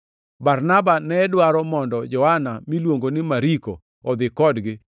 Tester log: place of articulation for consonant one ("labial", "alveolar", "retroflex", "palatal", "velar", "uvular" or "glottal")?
labial